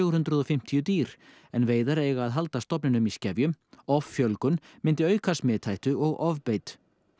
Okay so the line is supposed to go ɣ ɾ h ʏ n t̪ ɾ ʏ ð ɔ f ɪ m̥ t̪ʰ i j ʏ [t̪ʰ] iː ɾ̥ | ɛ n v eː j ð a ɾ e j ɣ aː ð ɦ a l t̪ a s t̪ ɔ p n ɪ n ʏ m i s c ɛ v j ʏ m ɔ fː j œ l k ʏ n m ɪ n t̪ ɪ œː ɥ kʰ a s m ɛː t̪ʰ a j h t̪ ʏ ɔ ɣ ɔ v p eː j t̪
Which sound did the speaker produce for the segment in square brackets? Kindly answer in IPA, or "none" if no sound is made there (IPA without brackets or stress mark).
t̪